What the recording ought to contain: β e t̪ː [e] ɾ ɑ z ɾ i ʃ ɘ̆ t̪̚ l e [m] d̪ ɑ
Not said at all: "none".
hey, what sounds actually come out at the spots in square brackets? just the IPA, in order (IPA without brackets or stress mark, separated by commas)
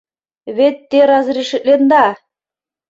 e, n